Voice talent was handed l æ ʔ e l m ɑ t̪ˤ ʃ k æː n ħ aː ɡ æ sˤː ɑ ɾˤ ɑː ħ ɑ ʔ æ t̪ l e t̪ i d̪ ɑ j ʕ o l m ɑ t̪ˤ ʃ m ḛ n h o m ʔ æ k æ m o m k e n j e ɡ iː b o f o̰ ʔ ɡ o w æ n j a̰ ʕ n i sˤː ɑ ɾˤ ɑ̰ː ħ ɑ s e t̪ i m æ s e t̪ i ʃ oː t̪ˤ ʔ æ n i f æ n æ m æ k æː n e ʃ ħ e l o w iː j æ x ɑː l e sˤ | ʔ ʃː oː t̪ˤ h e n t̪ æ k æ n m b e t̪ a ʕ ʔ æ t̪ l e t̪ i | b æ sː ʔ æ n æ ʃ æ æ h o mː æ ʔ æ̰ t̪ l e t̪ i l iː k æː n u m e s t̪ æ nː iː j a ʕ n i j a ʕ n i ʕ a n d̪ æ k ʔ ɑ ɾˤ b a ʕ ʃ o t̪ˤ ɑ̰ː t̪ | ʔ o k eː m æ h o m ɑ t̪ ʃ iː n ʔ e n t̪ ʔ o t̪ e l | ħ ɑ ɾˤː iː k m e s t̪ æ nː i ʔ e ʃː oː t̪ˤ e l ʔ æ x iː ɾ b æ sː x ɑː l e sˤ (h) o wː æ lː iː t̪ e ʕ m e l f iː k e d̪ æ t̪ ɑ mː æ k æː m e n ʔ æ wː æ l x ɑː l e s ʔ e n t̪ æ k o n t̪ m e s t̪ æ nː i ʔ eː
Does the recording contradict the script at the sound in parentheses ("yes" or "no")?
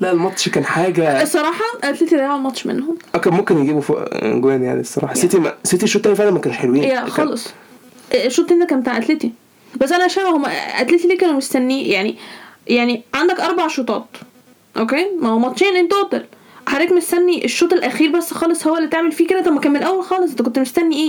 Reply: no